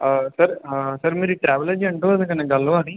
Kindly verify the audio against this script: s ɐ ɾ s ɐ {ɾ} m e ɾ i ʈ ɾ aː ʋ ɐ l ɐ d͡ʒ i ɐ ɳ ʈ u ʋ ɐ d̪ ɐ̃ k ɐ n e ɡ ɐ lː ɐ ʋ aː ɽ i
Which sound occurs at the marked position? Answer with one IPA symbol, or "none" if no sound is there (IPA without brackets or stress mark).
ɾ